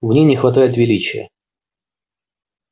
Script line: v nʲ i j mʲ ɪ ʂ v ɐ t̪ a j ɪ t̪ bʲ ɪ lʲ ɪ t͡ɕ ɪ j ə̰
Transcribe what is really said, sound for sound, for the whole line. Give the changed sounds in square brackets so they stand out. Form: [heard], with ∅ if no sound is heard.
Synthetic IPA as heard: v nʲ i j [nʲ] ɪ [x] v ɐ t̪ a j ɪ t̪ [vʲ] ɪ lʲ [i] t͡ɕ ɪ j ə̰